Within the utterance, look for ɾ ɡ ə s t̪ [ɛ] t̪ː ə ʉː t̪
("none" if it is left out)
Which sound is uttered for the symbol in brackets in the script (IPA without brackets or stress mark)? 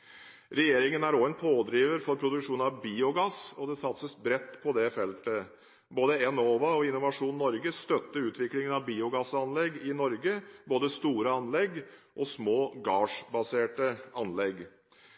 œ